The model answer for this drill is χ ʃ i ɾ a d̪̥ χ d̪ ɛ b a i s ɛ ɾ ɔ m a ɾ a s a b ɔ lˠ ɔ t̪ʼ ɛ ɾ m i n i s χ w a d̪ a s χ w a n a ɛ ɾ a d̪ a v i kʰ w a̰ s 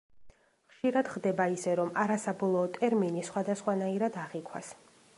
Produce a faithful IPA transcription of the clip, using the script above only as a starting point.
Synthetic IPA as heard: χ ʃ i ɾ a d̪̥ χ d̪ ɛ b a i s ɛ ɾ ɔ m a ɾ a s a b ɔ lˠ ɔː t̪ʼ ɛ ɾ m i n i s χ w a d̪ a s χ w a n a i ɾ a d̪ a ʁ i kʰ w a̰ s